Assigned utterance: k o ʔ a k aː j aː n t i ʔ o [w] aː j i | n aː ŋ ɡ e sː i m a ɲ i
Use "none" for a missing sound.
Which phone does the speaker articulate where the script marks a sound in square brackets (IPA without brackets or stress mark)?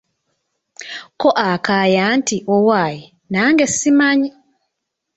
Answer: w